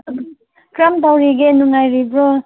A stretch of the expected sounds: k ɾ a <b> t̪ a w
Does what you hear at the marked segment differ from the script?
yes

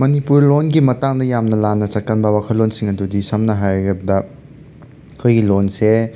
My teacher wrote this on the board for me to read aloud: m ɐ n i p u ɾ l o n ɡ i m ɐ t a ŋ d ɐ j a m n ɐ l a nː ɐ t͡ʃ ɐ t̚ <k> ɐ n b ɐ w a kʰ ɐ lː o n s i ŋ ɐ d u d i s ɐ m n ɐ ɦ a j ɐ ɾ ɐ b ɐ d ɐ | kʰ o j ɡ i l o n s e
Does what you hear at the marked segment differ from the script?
no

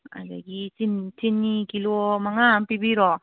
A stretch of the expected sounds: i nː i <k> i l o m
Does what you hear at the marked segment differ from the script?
no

